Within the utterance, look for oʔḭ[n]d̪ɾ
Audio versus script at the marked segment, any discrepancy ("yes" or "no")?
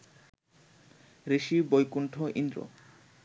no